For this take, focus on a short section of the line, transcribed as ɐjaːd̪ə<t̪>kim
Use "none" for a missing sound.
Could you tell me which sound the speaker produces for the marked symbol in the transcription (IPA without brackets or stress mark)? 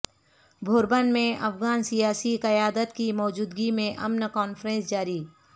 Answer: t̪